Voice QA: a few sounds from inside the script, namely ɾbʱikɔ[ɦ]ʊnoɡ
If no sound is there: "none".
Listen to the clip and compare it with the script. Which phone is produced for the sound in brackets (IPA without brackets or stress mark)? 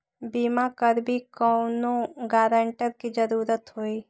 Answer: none